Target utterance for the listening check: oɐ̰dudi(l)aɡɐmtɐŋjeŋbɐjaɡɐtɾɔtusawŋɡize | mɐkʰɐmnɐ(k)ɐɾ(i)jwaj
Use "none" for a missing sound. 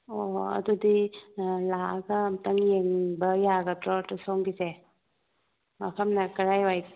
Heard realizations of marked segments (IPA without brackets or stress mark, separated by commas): l, k, a